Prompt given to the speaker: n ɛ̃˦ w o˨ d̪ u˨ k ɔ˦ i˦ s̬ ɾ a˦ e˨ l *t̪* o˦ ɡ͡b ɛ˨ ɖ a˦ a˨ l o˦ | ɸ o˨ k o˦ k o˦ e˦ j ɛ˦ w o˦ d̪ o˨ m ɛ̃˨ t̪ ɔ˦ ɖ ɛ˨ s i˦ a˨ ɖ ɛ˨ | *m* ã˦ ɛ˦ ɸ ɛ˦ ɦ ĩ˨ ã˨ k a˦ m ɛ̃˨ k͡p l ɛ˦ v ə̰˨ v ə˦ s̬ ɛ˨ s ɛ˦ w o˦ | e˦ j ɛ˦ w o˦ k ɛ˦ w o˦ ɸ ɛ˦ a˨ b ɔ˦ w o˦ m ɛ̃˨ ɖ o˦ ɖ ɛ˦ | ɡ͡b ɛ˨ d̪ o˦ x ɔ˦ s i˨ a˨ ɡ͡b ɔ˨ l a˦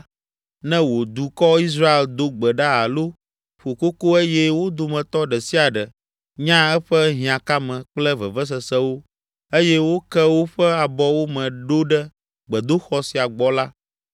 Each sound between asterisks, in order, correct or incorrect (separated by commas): incorrect, incorrect